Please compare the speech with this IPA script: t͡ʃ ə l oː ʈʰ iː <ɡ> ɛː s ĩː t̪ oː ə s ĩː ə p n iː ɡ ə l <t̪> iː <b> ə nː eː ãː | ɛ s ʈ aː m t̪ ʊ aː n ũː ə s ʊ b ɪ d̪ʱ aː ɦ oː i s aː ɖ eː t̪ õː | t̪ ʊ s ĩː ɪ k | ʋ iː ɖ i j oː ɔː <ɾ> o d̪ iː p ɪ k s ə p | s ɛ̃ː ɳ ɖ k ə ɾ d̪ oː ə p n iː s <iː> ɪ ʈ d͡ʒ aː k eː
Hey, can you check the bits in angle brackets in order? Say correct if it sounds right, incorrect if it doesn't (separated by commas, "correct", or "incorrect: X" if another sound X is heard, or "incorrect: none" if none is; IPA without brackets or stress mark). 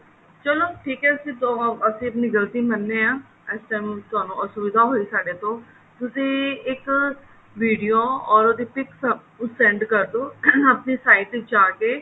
incorrect: k, correct, incorrect: m, correct, incorrect: aː